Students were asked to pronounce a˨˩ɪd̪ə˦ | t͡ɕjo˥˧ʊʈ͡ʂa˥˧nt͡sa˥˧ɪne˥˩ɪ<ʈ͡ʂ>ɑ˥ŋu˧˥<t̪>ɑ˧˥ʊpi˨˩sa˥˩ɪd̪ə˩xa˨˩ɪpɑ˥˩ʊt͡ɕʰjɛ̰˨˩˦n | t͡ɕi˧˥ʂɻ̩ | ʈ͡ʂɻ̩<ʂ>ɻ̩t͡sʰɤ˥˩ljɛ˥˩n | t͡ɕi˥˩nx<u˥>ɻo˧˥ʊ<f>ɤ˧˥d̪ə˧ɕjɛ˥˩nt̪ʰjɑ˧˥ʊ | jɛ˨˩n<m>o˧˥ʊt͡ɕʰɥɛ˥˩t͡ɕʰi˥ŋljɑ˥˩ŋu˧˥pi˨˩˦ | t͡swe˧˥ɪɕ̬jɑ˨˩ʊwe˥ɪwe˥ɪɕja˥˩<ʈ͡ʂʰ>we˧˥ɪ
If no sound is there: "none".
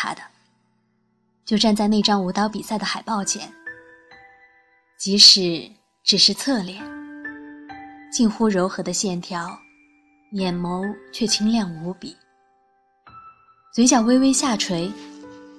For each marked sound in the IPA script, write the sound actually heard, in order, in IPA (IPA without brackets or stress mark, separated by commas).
ʈ͡ʂ, t̪, ʂ, u˥, x, m, ʈ͡ʂʰ